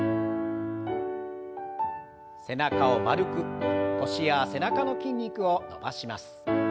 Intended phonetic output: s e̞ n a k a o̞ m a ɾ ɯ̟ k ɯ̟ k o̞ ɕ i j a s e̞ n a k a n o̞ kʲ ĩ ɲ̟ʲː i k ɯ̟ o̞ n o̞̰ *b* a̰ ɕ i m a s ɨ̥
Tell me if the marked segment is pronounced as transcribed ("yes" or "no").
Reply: yes